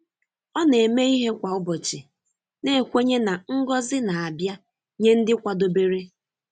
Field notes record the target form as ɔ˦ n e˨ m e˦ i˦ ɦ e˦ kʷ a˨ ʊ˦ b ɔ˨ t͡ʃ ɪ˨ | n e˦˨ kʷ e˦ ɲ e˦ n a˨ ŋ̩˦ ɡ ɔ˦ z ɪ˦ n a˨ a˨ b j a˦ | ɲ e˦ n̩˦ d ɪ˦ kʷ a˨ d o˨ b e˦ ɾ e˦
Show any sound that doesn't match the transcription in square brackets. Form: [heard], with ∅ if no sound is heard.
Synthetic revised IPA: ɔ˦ n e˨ m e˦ i˦ ɦ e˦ kʷ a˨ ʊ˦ b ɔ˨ t͡ʃ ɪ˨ | n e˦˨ kʷ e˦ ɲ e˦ n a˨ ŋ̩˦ ɡ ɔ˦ z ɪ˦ n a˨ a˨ b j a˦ | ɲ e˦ n̩˦ d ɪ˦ kʷ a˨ d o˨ b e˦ ɾ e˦

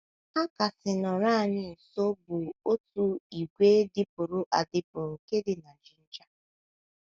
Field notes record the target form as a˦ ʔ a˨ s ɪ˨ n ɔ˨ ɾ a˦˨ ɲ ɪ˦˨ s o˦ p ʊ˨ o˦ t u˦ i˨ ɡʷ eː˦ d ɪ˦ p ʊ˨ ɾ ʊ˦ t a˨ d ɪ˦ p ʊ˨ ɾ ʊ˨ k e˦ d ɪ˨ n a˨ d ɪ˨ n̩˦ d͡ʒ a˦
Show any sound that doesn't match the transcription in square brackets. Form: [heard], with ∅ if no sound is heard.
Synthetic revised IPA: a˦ [k] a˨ s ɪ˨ n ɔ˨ ɾ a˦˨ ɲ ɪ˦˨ s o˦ [b] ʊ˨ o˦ t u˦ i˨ ɡʷ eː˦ d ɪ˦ p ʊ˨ ɾ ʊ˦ [ʔ] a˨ d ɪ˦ p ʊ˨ ɾ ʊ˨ k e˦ d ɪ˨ n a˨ [d͡ʒ] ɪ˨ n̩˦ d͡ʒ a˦

